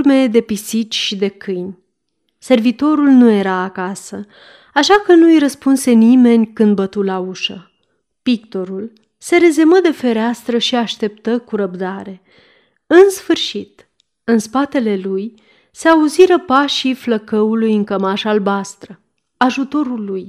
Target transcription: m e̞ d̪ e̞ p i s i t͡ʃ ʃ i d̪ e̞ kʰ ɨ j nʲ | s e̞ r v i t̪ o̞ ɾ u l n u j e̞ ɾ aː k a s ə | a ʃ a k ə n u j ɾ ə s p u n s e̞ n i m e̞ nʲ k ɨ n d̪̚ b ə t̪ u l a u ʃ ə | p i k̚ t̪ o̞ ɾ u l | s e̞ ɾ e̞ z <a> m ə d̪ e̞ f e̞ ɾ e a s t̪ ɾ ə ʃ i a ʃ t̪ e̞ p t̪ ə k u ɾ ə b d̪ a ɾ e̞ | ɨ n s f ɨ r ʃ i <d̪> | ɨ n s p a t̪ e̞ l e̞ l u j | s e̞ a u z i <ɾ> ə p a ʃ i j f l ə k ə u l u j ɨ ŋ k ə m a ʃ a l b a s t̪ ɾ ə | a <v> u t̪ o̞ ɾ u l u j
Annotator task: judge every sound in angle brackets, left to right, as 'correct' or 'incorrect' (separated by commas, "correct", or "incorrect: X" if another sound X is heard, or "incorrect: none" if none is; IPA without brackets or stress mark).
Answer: incorrect: e, incorrect: t̪, correct, incorrect: ʒ